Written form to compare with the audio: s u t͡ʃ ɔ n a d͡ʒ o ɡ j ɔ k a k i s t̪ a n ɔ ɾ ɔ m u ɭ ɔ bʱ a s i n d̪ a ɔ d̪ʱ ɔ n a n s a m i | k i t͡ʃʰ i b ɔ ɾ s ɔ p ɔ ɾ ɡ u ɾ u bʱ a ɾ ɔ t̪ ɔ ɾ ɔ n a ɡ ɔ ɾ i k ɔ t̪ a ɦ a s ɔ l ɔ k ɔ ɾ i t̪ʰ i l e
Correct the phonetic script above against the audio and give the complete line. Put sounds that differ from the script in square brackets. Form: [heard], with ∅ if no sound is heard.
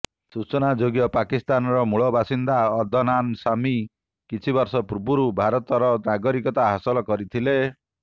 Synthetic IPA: s u t͡ʃ ɔ n a d͡ʒ o ɡ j ɔ [p] a k i s t̪ a n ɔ ɾ ɔ m u ɭ ɔ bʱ a s i n d̪ a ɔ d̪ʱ ɔ n a n s a m i | k i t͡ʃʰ i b ɔ ɾ s ɔ p [u] ɾ [b] u ɾ u bʱ a ɾ ɔ t̪ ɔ ɾ ɔ n a ɡ ɔ ɾ i k ɔ t̪ a ɦ a s ɔ l ɔ k ɔ ɾ i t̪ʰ i l e